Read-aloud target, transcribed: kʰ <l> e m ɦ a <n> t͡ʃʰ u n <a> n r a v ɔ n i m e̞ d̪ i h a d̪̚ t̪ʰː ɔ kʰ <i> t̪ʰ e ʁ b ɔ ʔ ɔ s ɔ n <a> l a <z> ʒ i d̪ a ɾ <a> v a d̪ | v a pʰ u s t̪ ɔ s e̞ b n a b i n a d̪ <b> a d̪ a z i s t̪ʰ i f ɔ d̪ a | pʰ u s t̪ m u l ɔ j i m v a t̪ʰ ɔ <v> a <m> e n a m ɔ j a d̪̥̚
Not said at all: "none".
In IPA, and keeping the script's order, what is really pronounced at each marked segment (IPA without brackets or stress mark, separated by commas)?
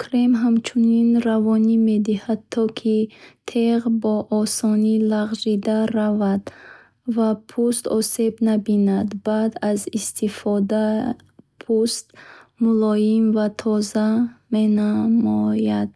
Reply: ɾ, m, i, i, i, ʁ, a, b, z, m